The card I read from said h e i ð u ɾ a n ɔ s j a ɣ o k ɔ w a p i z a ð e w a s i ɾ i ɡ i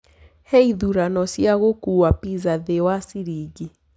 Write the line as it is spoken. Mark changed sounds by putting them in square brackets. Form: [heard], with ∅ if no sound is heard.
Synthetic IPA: h e i ð u ɾ a n ɔ s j a ɣ o k [u] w a p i z a ð e w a s i ɾ i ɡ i